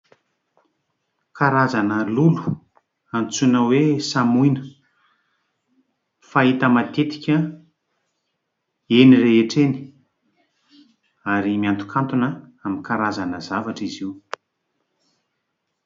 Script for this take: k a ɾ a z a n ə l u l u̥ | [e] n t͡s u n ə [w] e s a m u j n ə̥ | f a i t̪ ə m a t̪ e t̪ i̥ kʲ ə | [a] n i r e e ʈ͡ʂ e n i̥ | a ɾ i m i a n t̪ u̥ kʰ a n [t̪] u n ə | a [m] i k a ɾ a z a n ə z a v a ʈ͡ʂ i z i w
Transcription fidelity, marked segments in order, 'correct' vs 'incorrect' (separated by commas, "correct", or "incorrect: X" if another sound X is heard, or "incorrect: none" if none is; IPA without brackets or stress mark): incorrect: a, correct, incorrect: e, correct, correct